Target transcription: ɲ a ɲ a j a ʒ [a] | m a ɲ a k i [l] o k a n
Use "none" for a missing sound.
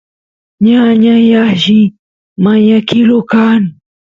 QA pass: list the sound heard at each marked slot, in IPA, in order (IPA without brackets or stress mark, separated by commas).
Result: i, l